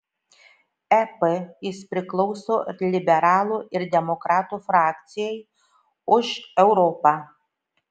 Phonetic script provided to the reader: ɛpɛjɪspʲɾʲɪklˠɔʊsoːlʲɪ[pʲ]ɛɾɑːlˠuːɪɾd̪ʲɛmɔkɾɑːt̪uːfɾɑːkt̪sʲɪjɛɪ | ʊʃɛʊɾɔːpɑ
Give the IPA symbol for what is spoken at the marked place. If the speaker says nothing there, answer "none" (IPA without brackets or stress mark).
bʲ